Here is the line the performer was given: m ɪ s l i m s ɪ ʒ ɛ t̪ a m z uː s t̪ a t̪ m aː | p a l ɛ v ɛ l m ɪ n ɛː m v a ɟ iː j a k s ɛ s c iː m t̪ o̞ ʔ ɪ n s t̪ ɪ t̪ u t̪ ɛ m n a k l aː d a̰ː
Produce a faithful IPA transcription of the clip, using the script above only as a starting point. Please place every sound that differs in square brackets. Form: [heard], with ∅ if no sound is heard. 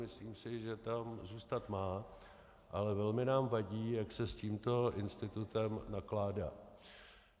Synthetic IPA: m ɪ s l [iː] m s ɪ ʒ ɛ t̪ a m z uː s t̪ a t̪ m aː | [ʔ] a l ɛ v ɛ l m ɪ n [aː] m v a ɟ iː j a k s ɛ s c iː m t̪ o̞ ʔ ɪ n s t̪ ɪ t̪ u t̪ ɛ m n a k l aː d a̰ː